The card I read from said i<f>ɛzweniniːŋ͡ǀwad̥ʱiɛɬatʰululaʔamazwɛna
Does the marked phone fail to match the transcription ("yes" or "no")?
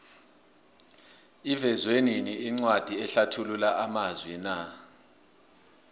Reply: yes